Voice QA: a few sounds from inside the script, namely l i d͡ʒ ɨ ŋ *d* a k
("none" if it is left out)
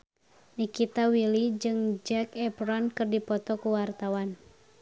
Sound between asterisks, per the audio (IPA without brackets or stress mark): d͡ʒ